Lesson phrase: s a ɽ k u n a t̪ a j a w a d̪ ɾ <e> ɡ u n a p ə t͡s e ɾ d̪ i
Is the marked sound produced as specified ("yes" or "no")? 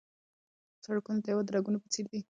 no